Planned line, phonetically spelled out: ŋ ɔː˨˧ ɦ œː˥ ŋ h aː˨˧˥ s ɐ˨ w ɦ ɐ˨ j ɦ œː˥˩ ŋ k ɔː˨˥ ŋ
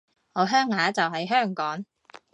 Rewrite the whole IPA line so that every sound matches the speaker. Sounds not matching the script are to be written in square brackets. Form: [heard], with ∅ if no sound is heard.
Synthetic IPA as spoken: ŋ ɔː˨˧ ɦ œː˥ ŋ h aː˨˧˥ [t͡s] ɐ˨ w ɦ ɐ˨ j ɦ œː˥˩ ŋ k ɔː˨˥ ŋ